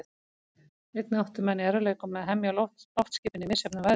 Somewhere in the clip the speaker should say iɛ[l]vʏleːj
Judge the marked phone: incorrect: ɾ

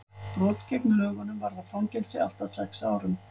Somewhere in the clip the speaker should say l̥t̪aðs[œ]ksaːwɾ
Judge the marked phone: incorrect: ɛ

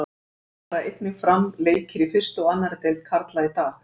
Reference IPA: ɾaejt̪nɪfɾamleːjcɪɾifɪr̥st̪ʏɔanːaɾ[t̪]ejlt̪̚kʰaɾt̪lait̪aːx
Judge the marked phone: correct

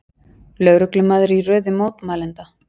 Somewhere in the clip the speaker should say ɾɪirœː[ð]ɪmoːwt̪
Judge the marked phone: correct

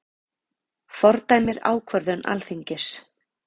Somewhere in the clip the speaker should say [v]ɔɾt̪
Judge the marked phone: incorrect: f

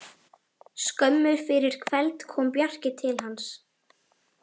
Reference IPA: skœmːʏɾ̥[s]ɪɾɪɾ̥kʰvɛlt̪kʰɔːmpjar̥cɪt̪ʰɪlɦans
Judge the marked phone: incorrect: f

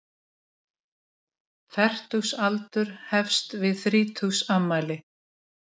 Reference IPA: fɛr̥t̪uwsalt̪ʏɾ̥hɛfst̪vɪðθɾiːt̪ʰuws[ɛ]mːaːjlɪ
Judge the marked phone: incorrect: a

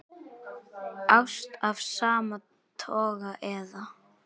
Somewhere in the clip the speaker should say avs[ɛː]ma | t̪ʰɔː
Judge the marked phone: incorrect: aː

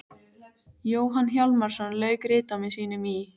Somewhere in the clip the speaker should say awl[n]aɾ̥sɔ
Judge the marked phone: incorrect: m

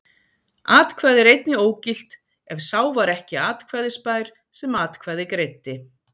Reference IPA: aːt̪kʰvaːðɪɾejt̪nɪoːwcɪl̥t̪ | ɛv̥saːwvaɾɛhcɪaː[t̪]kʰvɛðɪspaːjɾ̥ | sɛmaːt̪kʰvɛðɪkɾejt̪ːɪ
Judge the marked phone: correct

